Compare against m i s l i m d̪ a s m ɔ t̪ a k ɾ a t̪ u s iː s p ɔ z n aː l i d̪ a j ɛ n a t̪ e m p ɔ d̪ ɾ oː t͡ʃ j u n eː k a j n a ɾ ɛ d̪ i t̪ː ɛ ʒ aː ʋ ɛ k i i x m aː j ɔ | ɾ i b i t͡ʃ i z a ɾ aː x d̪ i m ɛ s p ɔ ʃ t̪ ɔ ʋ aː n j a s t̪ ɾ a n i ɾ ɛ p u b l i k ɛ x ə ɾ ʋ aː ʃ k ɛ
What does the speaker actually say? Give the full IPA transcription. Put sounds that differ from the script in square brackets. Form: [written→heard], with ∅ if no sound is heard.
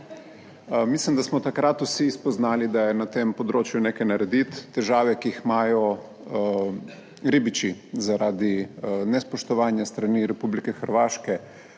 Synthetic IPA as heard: m i s l i m d̪ a s m ɔ t̪ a k ɾ a t̪ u s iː s p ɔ z n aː l i d̪ a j ɛ n a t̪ e m p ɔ d̪ ɾ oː t͡ʃ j u n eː k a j n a ɾ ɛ d̪ i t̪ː ɛ ʒ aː ʋ ɛ k i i x m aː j ɔ | ɾ i b i t͡ʃ i z a ɾ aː [x→∅] d̪ i [m→n] ɛ s p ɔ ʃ t̪ ɔ ʋ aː n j a s t̪ ɾ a n i ɾ ɛ p u b l i k ɛ x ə ɾ ʋ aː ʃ k ɛ